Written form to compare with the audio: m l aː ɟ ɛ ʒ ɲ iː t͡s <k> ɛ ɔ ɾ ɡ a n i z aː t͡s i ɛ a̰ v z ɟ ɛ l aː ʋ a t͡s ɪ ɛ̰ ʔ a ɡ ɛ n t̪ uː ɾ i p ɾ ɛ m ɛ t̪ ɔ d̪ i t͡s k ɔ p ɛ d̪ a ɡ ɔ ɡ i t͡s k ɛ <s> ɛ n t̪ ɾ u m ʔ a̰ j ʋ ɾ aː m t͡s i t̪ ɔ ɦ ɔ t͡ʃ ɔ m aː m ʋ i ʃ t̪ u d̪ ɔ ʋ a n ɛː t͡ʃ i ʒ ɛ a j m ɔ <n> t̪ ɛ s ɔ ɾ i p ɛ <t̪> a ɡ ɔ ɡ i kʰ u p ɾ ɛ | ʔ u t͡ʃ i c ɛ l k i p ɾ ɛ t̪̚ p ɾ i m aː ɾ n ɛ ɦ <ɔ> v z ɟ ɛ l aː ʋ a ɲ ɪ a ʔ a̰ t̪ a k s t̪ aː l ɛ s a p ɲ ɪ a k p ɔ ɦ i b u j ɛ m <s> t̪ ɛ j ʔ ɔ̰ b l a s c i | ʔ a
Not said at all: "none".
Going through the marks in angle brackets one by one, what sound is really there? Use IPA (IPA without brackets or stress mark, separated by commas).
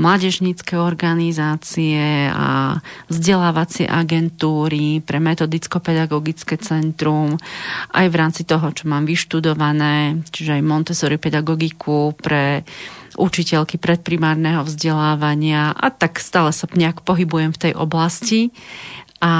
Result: k, t͡s, n, d̪, ɔ, f